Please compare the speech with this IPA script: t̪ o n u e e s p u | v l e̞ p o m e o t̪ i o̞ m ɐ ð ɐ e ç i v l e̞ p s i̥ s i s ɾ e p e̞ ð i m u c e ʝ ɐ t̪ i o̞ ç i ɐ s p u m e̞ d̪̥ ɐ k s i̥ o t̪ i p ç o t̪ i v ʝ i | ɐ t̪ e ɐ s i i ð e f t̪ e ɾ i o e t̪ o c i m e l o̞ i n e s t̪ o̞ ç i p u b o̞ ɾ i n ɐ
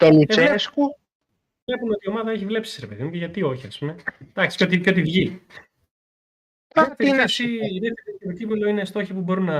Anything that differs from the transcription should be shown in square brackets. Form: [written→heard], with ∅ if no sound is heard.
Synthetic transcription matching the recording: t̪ o n u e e s [p→k] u | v l e̞ p [o→u] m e o t̪ i o̞ m ɐ ð ɐ e ç i v l e̞ p s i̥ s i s ɾ e p e̞ ð i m u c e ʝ ɐ t̪ i o̞ ç i ɐ s p u m e̞ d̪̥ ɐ k s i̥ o t̪ i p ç o t̪ i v ʝ i | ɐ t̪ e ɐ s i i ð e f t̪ e ɾ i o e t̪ o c i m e l o̞ i n e s t̪ o̞ ç i p u b o̞ ɾ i n ɐ